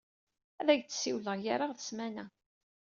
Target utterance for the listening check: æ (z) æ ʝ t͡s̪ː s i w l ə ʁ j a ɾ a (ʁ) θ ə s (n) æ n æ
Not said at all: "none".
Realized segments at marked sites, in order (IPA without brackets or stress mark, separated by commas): ð, ʁ, m